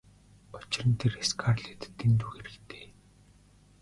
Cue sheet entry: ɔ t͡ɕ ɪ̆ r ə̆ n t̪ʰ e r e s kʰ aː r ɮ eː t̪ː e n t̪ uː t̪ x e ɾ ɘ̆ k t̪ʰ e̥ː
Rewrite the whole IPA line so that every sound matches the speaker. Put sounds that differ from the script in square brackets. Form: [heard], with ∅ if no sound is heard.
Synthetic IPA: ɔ t͡ɕ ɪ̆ r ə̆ n t̪ʰ e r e s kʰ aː r ɮ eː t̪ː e n t̪ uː [∅] x e ɾ ɘ̆ k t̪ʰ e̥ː